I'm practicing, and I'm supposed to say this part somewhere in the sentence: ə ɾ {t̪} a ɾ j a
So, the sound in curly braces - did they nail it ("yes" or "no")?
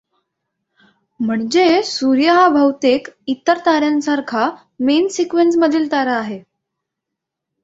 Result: yes